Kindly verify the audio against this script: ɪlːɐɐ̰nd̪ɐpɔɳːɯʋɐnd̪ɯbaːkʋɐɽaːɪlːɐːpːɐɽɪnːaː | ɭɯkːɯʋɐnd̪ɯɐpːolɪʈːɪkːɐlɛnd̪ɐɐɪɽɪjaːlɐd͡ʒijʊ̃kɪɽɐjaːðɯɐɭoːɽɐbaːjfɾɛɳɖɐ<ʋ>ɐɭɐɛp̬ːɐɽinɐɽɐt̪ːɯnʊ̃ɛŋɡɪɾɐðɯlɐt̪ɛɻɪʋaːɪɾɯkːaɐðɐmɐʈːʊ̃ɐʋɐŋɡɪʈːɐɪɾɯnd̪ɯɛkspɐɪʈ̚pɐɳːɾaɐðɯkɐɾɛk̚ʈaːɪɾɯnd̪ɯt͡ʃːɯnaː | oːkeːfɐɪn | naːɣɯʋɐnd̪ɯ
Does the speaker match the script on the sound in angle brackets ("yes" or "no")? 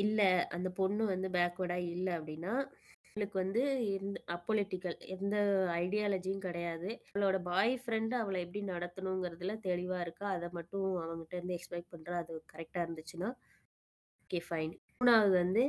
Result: yes